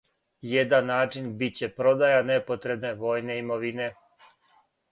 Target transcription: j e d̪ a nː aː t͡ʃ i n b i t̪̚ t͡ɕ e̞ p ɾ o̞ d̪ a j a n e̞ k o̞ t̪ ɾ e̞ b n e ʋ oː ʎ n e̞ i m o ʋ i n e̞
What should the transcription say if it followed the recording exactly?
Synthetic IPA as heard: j e d̪ a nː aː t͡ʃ i n b i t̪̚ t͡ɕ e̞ p ɾ o̞ d̪ a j a n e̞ p o̞ t̪ ɾ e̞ b n e ʋ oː j n e̞ i m o ʋ i n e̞